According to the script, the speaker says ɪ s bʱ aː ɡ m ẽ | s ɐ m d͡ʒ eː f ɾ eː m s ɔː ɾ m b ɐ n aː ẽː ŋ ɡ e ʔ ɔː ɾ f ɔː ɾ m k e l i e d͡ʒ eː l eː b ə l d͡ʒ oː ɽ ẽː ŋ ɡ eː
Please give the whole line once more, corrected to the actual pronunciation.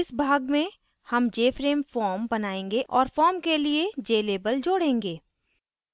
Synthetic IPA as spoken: ɪ s bʱ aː ɡ m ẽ | h ɐ m d͡ʒ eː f ɾ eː m f ɔː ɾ m b ɐ n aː ẽː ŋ ɡ e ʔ ɔː ɾ f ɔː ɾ m k e l i e d͡ʒ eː l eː b ə l d͡ʒ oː ɽ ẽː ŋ ɡ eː

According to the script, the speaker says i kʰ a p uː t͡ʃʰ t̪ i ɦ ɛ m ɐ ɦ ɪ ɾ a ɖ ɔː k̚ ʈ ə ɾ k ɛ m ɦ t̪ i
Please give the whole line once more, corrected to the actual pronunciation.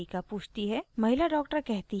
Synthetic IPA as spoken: i k a p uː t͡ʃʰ t̪ i ɦ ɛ m ɐ ɦ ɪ l a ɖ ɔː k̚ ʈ ə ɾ k ɛ ɦ t̪ i

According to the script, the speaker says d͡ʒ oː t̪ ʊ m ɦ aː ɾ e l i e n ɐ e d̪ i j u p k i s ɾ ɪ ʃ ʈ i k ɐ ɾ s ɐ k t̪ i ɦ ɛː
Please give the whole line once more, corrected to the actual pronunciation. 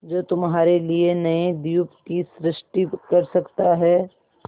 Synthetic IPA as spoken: d͡ʒ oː t̪ ʊ m ɦ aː ɾ e l i e n ɐ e d̪ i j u p k i s ɾ ɪ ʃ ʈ i k ɐ ɾ s ɐ k t̪ a ɦ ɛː

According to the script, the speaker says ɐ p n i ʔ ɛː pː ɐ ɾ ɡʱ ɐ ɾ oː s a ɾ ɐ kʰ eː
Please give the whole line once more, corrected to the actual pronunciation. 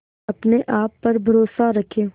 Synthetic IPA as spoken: ɐ p n e ʔ aː pː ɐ ɾ bʱ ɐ ɾ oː s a ɾ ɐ kʰ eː

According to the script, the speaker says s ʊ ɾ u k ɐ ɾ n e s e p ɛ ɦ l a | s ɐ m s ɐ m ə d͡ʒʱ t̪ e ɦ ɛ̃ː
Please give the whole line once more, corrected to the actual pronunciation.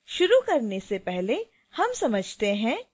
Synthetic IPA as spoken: ʃ ʊ ɾ u k ɐ ɾ n e s e p ɛ ɦ l e | h ɐ m s ɐ m ə d͡ʒʱ t̪ e ɦ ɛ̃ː

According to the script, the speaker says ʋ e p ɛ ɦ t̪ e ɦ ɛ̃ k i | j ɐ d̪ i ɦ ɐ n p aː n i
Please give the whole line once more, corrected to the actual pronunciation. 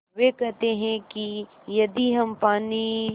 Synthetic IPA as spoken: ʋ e k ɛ ɦ t̪ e ɦ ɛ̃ k i | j ɐ d̪ i ɦ ɐ m p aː n i

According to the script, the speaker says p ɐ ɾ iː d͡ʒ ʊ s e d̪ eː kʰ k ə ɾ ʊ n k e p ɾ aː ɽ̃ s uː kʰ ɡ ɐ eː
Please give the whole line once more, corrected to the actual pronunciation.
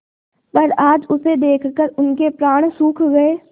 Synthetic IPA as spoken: p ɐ ɾ aː d͡ʒ ʊ s e d̪ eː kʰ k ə ɾ ʊ n k e p ɾ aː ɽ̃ s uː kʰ ɡ ɐ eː

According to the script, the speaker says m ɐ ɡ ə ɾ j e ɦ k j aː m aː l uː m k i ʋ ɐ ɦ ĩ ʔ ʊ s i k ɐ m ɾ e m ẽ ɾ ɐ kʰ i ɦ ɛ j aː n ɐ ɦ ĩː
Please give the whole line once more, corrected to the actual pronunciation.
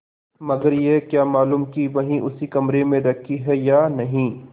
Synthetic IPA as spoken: m ɐ ɡ ə ɾ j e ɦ k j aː m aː l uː m k i ʋ ɐ ɦ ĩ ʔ ʊ s i k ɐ m ɾ e m ẽ ɾ ɐ kʰ i ɦ ɛ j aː n ɐ ɦ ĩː

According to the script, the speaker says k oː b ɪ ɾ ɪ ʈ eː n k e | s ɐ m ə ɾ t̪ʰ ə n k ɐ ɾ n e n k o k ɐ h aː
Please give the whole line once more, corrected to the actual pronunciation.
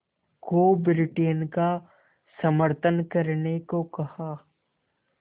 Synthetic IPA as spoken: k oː b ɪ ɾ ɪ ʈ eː n k a | s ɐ m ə ɾ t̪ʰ ə n k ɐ ɾ n e k o k ɐ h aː

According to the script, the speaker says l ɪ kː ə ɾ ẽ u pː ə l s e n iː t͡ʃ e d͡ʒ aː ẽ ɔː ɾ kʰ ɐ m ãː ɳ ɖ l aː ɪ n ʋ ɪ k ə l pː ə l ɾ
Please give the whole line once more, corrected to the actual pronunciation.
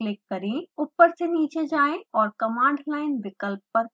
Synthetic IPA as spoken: l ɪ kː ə ɾ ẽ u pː ə ɾ s e n iː t͡ʃ e d͡ʒ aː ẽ ɔː ɾ k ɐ m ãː ɳ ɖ l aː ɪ n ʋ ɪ k ə l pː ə ɾ

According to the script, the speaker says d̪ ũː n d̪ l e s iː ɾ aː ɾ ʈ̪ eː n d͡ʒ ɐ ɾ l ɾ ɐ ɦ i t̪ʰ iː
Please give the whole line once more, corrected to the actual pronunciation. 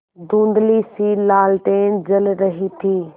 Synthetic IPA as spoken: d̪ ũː n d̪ l i s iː l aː l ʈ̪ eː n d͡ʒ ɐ l ɾ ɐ ɦ i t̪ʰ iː

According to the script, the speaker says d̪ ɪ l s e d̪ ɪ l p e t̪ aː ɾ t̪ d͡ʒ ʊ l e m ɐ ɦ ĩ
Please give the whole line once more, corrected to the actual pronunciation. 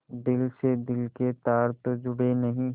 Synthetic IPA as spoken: d̪ ɪ l s e d̪ ɪ l k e t̪ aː ɾ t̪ d͡ʒ ʊ ɽ e n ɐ ɦ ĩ

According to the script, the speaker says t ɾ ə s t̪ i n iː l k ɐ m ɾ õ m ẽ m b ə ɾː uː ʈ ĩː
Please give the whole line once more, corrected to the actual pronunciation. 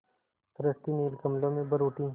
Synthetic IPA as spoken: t ɾ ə s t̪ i n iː l k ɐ m l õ m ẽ b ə ɾ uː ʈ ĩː

